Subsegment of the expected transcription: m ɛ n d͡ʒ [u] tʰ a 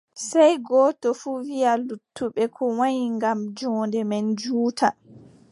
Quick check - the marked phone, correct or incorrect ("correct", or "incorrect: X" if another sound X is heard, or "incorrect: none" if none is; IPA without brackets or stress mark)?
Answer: incorrect: uː